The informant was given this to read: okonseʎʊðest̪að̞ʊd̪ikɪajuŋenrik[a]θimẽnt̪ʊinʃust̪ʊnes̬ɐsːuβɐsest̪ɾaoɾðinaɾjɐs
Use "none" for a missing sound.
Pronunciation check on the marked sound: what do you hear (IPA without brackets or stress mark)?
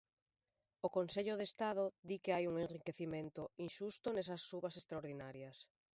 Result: e